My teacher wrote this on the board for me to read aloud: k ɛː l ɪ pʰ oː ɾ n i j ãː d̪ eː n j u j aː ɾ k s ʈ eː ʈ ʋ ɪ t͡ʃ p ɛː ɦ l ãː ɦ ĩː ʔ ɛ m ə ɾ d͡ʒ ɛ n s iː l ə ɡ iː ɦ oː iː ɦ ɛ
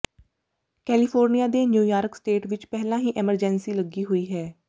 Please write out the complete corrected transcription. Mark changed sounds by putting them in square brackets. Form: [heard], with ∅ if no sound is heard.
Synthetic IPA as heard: k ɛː l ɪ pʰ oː ɾ n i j [aː] d̪ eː n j [uː] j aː ɾ k s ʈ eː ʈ ʋ ɪ t͡ʃ p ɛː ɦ l ãː ɦ [iː] ʔ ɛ m ə ɾ d͡ʒ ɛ n s iː l ə ɡ iː ɦ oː iː ɦ [ɛː]